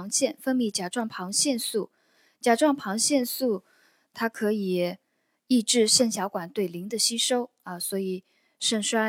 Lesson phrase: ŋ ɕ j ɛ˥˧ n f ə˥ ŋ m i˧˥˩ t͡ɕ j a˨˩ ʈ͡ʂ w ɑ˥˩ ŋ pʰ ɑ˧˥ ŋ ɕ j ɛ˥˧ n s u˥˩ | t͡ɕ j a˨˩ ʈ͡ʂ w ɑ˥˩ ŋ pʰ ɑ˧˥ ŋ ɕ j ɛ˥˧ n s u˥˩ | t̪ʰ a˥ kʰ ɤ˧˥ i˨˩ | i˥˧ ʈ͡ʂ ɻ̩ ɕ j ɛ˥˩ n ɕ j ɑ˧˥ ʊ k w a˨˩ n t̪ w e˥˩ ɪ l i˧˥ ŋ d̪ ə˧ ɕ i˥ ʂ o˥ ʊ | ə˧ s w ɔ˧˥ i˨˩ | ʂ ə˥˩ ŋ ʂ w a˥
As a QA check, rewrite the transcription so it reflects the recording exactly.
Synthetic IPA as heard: ŋ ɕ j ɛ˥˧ n f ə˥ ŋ m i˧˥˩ t͡ɕ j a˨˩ ʈ͡ʂ w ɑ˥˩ ŋ pʰ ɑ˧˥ ŋ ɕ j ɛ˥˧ n s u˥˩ | t͡ɕ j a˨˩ ʈ͡ʂ w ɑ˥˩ ŋ pʰ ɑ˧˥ ŋ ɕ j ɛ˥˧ n s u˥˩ | t̪ʰ a˥ kʰ ɤ˧˥ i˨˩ | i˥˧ ʈ͡ʂ ɻ̩ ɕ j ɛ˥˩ n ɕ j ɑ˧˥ ʊ k w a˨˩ n t̪ w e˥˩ ɪ l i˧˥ ŋ d̪ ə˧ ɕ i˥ ʂ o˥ ʊ | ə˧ s w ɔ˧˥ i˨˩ | ʂ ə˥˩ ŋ ʂ w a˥